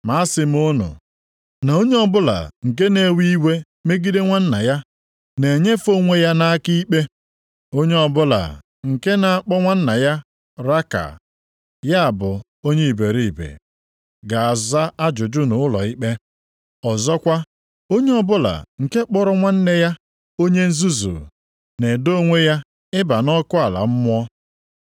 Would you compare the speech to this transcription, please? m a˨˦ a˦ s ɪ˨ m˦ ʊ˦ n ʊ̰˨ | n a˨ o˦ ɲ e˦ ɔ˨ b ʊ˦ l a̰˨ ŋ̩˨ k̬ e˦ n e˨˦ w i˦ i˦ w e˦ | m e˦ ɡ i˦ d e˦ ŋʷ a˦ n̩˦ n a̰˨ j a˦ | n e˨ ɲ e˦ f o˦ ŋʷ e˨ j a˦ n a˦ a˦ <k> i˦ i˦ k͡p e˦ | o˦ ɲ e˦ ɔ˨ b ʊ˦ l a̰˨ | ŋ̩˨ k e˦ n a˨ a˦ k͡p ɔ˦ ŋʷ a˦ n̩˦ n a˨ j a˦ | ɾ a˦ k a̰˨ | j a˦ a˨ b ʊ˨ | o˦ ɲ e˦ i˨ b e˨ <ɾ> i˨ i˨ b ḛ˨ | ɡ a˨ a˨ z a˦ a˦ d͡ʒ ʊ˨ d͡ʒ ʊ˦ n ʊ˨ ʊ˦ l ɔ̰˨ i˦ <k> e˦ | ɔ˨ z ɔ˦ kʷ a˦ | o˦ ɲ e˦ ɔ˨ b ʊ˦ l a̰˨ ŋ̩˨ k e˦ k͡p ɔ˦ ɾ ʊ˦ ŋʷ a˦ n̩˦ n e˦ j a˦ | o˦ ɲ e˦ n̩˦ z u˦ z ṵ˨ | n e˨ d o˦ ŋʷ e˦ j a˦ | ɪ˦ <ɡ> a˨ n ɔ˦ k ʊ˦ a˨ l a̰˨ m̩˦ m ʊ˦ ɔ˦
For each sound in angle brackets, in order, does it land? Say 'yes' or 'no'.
yes, yes, no, no

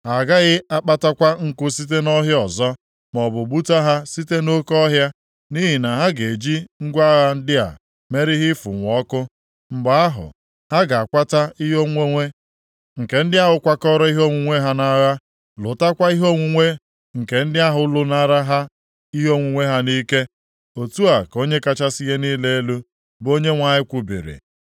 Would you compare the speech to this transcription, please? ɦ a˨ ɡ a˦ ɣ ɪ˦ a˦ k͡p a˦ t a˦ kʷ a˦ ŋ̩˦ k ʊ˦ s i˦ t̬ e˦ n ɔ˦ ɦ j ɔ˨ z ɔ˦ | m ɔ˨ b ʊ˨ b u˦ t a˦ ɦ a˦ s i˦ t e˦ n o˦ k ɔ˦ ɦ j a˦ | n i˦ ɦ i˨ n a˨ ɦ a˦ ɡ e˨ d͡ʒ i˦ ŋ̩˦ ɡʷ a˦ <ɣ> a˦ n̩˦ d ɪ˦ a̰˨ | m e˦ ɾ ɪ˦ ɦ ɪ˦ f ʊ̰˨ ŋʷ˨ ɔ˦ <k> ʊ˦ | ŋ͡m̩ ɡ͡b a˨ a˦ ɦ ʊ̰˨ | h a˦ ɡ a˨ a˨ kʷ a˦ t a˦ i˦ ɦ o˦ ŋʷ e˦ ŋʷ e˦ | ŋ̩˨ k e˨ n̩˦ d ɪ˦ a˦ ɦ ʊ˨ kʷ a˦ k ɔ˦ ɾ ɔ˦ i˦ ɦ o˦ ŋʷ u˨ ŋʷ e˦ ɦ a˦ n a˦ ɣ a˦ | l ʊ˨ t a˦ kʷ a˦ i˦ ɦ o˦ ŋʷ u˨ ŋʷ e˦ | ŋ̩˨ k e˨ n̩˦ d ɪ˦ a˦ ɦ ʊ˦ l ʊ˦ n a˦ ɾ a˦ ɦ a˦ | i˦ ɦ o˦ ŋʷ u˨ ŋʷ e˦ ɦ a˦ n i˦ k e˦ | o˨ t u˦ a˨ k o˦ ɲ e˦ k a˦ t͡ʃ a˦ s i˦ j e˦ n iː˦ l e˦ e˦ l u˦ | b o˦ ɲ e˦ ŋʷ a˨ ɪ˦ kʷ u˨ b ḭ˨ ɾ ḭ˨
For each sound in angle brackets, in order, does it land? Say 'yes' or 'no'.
yes, yes

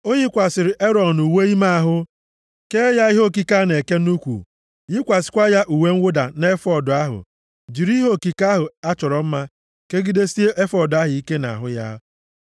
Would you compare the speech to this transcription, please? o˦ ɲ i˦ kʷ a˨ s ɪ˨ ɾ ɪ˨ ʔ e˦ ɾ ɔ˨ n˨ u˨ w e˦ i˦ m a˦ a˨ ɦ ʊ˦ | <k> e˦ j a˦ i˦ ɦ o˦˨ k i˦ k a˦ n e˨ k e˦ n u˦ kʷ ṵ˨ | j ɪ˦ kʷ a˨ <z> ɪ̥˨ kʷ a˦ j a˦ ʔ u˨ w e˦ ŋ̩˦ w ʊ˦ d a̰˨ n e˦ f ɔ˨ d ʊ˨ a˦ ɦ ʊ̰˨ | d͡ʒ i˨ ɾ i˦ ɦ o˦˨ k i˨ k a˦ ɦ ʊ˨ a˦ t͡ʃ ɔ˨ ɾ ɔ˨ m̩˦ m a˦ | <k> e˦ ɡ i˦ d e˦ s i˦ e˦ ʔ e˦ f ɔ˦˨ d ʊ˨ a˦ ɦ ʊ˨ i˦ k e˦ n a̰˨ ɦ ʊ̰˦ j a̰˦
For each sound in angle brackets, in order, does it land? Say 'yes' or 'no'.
yes, no, yes

